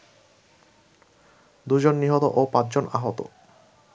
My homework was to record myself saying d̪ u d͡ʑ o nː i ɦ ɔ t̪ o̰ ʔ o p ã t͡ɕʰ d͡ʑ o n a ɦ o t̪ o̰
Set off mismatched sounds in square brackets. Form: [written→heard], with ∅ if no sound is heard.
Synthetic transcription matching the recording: d̪ u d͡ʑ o nː i ɦ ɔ t̪ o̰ ʔ o p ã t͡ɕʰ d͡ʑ o n a ɦ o t̪ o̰